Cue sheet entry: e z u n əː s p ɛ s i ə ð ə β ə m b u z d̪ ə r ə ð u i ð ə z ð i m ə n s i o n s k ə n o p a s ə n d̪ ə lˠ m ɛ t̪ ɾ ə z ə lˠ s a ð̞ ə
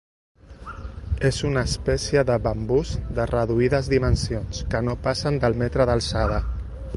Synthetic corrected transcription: e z u n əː s p ɛ s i ə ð ə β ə m b u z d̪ ə r ə ð u i ð ə z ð i m ə n s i o n s k ə n o p a s ə n d̪ ə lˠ m ɛ t̪ ɾ ə ð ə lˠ s a ð̞ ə